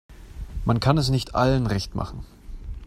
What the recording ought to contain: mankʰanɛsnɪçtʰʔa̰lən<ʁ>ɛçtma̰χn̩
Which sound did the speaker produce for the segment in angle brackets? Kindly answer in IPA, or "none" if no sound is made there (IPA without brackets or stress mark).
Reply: ʁ